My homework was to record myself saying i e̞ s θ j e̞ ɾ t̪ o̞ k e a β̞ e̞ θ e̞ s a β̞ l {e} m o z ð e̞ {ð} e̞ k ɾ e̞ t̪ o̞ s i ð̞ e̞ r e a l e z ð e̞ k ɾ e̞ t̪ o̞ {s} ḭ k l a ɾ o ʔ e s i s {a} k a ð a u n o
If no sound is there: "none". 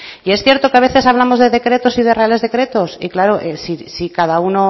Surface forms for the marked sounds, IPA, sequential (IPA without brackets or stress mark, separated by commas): a, ð, s, i